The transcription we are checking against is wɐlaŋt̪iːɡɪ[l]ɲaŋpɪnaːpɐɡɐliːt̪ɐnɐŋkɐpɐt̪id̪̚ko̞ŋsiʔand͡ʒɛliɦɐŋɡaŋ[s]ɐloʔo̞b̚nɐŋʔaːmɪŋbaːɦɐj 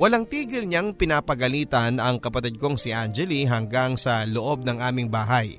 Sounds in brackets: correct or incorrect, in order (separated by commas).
correct, correct